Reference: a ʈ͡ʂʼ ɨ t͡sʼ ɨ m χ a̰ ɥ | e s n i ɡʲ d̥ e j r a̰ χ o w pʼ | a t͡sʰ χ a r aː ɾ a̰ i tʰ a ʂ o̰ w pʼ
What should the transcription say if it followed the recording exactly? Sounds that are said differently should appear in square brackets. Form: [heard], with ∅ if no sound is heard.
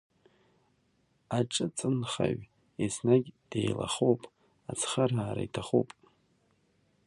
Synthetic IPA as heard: a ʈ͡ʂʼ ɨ t͡sʼ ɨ [n] χ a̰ ɥ | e s n [a] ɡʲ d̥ e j [l] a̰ χ o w pʼ | a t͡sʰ χ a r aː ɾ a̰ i tʰ a [χ] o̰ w pʼ